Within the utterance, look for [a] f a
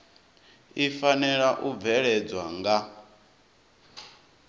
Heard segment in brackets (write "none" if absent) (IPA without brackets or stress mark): i